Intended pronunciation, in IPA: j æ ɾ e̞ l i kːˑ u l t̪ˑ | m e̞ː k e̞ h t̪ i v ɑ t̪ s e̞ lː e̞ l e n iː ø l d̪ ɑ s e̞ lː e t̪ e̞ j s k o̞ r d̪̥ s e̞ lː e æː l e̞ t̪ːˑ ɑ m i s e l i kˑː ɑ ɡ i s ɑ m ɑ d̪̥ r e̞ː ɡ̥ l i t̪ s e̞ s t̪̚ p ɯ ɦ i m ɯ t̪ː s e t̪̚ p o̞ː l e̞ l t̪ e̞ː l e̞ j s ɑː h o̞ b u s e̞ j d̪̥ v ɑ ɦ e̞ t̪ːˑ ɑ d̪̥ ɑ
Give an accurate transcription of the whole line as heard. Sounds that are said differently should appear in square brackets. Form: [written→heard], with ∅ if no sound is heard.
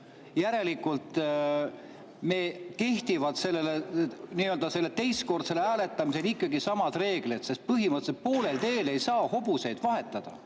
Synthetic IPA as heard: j æ ɾ e̞ l i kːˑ u l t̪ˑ | m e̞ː k e̞ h t̪ i v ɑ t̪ s e̞ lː e̞ l e n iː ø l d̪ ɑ s e̞ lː e t̪ e̞ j s k o̞ r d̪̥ s e̞ [lː→l] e æː l e̞ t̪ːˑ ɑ m i s e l i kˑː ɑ ɡ i s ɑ m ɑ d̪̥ r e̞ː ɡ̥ l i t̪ s e̞ s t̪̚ p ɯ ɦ i m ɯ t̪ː s e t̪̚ p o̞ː l e̞ l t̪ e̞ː l e̞ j s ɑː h o̞ b u s e̞ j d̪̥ v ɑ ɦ e̞ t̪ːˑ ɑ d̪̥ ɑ